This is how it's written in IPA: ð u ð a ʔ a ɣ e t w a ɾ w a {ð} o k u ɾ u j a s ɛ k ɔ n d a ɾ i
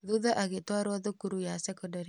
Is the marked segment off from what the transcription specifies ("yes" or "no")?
no